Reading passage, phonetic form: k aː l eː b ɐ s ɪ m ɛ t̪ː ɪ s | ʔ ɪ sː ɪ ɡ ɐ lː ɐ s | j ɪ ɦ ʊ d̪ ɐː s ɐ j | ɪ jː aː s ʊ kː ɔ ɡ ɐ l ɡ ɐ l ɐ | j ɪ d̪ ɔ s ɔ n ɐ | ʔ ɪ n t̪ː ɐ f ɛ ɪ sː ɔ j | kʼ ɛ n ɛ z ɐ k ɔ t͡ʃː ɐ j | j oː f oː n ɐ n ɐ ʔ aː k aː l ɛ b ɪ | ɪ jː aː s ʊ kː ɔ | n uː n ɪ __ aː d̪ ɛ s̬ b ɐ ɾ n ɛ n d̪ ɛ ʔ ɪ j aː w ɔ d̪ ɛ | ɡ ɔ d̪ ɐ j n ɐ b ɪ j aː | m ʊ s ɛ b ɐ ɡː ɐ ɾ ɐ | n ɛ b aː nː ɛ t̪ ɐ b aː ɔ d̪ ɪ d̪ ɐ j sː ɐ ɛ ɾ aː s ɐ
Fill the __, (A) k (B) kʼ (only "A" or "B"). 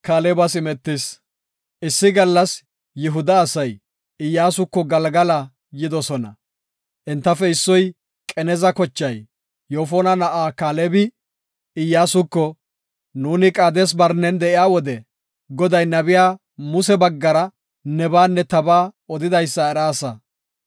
B